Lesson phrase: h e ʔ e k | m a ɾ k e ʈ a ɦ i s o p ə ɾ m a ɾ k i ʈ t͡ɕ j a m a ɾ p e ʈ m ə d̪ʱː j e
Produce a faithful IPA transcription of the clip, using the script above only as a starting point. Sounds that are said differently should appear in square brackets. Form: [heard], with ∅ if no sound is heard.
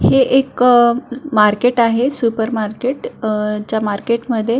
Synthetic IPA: h e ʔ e k | m a ɾ k e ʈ a ɦ [e] s [u] p ə ɾ m a ɾ k [e] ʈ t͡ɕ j a m a ɾ [k] e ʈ m ə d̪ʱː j e